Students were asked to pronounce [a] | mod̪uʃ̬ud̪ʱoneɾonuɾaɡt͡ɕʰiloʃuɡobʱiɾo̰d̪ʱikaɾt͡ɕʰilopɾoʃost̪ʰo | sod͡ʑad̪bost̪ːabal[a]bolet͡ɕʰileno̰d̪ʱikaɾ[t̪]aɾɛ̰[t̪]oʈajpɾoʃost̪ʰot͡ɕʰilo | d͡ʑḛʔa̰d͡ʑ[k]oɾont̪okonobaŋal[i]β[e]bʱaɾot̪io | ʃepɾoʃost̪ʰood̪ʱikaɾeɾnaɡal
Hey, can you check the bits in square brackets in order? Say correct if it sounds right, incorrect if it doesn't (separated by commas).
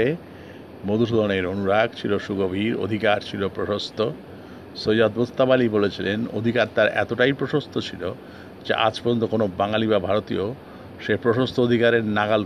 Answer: incorrect, incorrect, correct, correct, incorrect, correct, incorrect